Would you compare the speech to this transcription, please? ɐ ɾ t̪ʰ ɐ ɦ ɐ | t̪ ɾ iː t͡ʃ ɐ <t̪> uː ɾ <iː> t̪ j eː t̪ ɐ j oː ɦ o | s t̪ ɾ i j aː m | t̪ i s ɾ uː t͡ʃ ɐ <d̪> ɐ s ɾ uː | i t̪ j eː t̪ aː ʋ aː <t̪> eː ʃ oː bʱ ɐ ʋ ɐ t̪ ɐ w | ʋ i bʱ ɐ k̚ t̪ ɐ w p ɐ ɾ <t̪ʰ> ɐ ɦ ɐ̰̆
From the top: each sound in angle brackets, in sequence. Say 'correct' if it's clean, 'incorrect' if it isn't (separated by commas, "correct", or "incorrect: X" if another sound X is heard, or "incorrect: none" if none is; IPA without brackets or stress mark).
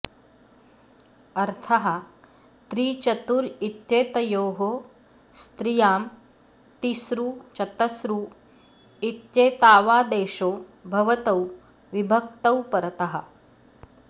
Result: correct, incorrect: i, incorrect: t̪, incorrect: d̪, incorrect: t̪